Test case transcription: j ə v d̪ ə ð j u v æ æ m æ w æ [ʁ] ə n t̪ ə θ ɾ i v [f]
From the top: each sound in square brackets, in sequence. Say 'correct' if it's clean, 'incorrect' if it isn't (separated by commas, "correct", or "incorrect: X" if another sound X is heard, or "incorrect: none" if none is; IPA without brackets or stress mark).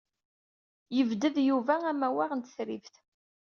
correct, incorrect: θ